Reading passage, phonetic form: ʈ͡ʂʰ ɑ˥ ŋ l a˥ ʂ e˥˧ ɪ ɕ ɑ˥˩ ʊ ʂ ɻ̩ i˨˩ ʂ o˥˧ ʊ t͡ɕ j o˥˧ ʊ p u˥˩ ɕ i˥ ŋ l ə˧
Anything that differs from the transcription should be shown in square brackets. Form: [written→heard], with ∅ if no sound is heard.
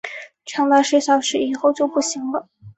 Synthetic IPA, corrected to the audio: ʈ͡ʂʰ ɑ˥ ŋ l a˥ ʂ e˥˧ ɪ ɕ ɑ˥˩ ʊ ʂ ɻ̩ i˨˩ [ʂ→x] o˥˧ ʊ t͡ɕ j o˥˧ ʊ p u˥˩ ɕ [i˥→i˧˥] ŋ l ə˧